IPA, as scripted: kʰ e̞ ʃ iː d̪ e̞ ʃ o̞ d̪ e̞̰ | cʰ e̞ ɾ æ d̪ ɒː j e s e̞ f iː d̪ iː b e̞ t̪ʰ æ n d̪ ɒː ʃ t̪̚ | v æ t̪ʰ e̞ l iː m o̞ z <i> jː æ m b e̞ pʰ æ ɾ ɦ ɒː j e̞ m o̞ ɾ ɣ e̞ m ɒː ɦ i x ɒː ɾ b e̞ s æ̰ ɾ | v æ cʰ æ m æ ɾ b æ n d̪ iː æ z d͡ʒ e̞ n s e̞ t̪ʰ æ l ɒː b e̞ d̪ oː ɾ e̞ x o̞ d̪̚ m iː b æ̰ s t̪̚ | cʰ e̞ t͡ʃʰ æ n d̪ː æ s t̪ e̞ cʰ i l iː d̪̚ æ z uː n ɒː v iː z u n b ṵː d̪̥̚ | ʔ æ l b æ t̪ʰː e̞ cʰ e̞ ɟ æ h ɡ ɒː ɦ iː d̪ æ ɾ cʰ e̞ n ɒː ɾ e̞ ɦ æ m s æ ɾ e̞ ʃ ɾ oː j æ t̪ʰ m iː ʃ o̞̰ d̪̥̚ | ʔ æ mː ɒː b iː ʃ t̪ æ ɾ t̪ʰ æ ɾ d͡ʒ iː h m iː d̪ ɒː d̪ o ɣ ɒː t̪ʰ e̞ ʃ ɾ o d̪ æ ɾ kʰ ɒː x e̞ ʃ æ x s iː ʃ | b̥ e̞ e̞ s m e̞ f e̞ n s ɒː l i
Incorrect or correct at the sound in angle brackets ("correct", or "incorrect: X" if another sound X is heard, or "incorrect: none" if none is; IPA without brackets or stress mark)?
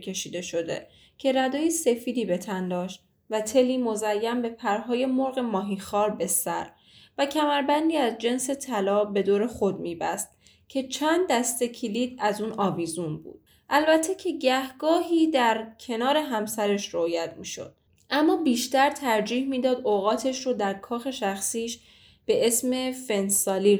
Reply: incorrect: æ